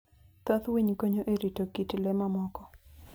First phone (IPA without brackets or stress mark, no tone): t̪